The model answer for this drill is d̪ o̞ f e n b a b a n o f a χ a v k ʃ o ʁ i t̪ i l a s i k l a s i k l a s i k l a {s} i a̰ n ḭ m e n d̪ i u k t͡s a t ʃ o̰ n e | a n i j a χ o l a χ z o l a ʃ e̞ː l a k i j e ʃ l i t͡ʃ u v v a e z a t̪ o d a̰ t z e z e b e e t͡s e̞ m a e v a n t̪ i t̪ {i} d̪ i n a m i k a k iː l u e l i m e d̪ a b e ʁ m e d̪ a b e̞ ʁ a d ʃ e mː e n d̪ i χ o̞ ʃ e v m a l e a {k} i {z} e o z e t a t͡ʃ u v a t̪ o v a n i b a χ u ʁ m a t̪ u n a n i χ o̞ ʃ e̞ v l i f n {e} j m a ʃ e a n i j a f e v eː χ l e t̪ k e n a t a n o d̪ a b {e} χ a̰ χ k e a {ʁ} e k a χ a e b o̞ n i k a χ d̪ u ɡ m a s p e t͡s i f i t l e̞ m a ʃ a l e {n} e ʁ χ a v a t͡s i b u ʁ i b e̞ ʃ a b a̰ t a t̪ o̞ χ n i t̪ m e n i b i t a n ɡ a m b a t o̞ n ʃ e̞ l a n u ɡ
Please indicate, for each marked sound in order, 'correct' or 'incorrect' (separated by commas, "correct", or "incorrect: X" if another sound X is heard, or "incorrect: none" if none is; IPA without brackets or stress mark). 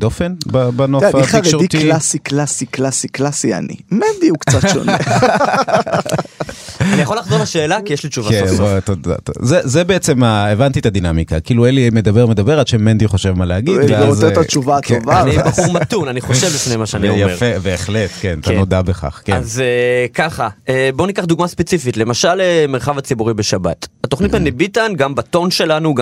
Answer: correct, incorrect: a, incorrect: ɡ, incorrect: v, correct, correct, incorrect: z, incorrect: m